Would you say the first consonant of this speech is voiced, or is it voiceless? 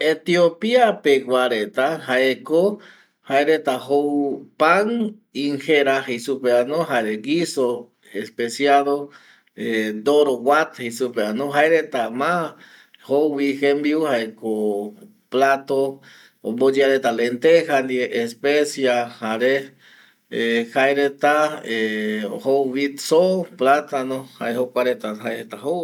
voiceless